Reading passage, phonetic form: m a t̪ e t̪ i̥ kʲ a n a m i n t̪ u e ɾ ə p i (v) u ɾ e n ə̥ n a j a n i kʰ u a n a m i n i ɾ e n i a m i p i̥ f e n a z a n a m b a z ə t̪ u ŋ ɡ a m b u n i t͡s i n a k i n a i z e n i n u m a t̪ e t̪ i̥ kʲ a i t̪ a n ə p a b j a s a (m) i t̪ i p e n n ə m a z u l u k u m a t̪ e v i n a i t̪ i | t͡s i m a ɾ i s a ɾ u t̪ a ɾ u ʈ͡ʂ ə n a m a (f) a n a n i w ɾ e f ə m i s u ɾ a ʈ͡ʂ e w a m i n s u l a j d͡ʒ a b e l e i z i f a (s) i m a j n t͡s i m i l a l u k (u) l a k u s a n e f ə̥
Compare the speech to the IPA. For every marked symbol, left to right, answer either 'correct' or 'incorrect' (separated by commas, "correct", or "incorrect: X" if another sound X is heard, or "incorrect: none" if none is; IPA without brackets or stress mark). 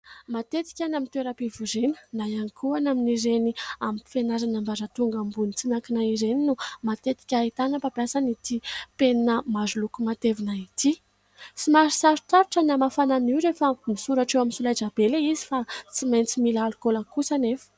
correct, incorrect: n, correct, incorrect: t͡s, incorrect: o